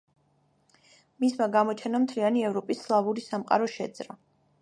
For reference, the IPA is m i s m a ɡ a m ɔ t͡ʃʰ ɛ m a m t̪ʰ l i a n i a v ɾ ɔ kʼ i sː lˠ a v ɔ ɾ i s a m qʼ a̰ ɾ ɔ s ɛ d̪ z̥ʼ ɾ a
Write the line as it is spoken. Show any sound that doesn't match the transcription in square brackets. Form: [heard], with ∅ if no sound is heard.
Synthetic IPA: m i s m a ɡ a m ɔ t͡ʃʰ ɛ [n] a m t̪ʰ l i a n i [ɛ] v ɾ ɔ [pʼ] i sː lˠ a v [u] ɾ i s a m qʼ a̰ ɾ ɔ [ʃ] ɛ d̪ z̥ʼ ɾ a